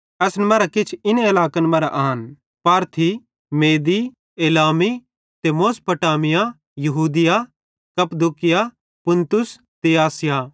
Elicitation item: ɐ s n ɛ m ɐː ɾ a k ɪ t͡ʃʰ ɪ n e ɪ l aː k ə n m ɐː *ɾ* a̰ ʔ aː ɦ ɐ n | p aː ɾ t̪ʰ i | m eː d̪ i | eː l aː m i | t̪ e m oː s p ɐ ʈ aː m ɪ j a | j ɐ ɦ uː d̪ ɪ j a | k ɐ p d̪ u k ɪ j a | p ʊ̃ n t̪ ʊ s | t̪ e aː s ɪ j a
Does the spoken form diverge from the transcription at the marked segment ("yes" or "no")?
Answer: no